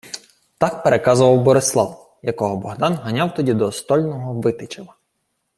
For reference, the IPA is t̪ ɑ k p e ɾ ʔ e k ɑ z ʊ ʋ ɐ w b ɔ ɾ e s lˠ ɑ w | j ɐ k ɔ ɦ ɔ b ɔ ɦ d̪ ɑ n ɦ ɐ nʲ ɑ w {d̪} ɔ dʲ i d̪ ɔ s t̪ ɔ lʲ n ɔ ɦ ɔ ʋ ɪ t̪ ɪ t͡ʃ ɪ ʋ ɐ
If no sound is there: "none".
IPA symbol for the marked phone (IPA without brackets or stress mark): t̪